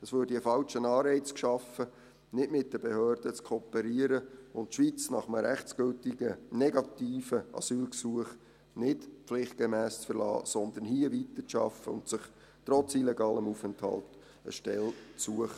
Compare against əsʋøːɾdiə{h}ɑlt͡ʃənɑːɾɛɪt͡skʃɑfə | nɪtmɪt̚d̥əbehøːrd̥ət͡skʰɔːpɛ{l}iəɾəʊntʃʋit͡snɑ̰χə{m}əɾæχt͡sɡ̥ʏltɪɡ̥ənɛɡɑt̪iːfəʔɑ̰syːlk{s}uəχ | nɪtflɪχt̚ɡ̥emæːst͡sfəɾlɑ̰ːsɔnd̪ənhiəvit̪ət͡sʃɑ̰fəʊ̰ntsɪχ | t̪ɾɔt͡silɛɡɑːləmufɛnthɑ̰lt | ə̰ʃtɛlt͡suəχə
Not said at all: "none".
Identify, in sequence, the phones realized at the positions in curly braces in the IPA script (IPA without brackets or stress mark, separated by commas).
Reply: f, ɾ, m, s